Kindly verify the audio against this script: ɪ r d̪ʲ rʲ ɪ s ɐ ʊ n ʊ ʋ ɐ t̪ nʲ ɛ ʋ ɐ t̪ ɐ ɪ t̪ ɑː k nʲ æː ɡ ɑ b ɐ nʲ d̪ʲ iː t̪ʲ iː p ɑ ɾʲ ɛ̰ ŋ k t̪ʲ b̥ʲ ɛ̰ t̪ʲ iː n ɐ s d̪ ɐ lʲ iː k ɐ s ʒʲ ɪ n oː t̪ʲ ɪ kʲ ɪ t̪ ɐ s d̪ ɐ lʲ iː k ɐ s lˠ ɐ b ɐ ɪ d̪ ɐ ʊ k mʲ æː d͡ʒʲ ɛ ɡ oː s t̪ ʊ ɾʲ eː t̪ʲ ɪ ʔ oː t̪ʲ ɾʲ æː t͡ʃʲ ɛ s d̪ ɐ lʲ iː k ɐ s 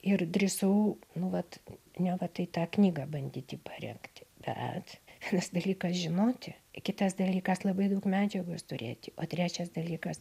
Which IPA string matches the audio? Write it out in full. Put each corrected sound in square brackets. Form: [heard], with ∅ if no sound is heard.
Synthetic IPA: ɪ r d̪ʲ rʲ ɪ s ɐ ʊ n ʊ ʋ ɐ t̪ nʲ ɛ ʋ ɐ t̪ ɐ ɪ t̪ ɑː k nʲ [iː] ɡ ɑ b ɐ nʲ d̪ʲ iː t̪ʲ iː p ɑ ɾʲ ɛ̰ ŋ k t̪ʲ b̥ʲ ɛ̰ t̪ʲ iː n ɐ s d̪ ɐ lʲ iː k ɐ s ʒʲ ɪ n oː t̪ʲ ɪ kʲ ɪ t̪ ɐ s d̪ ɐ lʲ iː k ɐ s lˠ ɐ b ɐ ɪ d̪ ɐ ʊ k mʲ æː d͡ʒʲ ɛ ɡ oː s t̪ ʊ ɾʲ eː t̪ʲ ɪ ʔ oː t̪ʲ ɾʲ æː t͡ʃʲ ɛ s d̪ ɐ lʲ iː k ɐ s